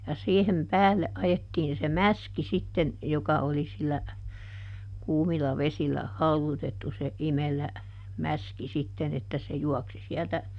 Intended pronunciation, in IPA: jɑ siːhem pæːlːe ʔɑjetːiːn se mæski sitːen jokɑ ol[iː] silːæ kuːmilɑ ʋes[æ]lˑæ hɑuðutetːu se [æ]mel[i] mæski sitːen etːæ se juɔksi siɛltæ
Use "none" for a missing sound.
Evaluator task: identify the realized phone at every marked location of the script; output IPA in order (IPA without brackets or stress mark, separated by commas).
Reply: i, i, i, æ